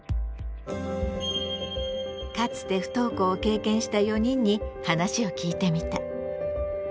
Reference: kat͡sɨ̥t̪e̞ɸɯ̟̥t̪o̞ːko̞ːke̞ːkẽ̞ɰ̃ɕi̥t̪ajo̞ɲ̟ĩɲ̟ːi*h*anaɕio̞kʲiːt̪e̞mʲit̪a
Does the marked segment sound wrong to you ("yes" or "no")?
no